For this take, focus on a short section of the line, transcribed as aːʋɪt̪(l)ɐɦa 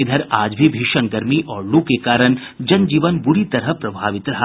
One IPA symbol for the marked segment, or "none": ɾ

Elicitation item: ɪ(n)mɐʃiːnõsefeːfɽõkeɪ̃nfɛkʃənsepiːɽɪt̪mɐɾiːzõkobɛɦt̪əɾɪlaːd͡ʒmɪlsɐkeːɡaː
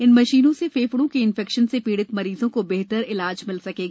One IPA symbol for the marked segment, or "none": n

